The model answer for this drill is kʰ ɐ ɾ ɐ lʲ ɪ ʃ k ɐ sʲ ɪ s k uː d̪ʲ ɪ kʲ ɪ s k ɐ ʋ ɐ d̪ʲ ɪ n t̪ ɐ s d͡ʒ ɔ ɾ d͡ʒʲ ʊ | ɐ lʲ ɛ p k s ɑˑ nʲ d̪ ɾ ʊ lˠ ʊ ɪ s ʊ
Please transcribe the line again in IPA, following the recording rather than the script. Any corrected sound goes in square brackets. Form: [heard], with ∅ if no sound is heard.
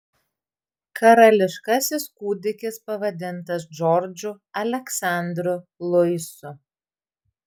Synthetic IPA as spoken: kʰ ɐ ɾ ɐ lʲ ɪ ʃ k ɐ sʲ ɪ s k uː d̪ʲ ɪ kʲ ɪ s [p] ɐ ʋ ɐ d̪ʲ ɪ n t̪ ɐ s d͡ʒ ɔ ɾ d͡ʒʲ ʊ | ɐ lʲ ɛ [∅] k s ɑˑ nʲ d̪ ɾ ʊ lˠ ʊ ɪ s ʊ